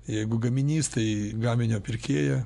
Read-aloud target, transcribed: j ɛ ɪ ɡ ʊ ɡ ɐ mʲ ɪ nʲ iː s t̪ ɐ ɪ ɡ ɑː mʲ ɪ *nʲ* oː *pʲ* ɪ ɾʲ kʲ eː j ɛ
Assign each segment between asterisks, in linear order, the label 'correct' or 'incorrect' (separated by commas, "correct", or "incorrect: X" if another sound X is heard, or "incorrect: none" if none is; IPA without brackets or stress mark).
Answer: correct, correct